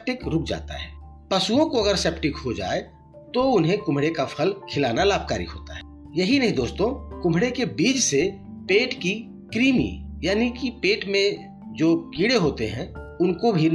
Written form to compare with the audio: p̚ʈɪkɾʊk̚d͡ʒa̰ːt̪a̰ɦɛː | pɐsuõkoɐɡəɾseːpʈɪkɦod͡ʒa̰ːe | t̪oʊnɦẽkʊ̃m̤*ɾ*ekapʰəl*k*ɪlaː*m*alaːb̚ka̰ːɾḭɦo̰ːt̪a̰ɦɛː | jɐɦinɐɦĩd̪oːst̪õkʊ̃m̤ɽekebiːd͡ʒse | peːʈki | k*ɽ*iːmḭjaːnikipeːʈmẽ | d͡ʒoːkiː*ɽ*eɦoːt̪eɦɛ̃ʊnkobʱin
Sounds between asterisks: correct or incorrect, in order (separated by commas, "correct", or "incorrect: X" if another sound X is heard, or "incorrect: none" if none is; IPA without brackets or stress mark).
incorrect: ɽ, incorrect: kʰ, incorrect: n, incorrect: ɾ, correct